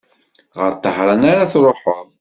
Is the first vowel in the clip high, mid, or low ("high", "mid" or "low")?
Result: mid